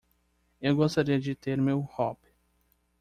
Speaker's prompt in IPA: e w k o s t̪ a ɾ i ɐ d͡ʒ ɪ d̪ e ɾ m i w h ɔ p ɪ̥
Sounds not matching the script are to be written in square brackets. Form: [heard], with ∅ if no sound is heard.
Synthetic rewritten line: e w [ɡ] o s t̪ a ɾ i ɐ d͡ʒ ɪ [t̪] e ɾ m [e] w h ɔ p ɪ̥